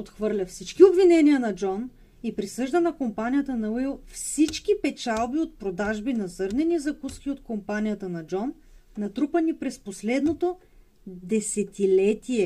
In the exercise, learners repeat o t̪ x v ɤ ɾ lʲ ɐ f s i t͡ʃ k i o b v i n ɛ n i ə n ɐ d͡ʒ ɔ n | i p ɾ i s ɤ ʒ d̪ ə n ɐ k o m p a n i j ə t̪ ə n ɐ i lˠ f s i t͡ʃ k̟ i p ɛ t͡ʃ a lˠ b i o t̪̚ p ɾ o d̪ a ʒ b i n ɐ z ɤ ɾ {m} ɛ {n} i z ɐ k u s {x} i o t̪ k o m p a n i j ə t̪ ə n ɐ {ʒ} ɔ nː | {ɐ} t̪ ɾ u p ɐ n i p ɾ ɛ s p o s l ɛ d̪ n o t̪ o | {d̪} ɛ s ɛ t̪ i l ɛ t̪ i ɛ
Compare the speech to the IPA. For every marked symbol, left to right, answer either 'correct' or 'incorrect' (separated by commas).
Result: incorrect, correct, incorrect, incorrect, correct, correct